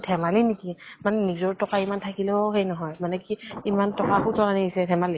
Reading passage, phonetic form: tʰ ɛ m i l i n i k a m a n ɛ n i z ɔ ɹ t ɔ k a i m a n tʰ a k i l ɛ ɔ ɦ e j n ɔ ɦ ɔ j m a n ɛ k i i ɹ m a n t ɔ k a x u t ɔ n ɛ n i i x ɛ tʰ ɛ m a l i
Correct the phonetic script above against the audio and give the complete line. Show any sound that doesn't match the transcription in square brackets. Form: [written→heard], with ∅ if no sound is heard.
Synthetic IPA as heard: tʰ ɛ m [i→a] l i n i k [a→i] m a n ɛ n i z ɔ ɹ t ɔ k a i m a n tʰ a k i l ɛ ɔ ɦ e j n ɔ ɦ ɔ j m a n ɛ k i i [ɹ→∅] m a n t ɔ k a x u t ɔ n [ɛ→a] n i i [x→s] ɛ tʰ ɛ m a l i